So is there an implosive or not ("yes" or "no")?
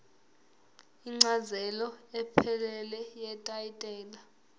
no